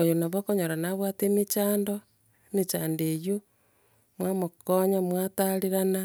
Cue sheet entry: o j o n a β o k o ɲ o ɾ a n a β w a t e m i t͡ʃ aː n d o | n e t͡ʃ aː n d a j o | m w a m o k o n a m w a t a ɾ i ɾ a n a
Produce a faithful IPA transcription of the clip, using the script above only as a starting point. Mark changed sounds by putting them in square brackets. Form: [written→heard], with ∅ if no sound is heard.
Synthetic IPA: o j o n a β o k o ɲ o ɾ a n a β w a t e m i t͡ʃ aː n d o | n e t͡ʃ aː n d [a→e] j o | m w a m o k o [n→ɲ] a m w a t a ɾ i ɾ a n a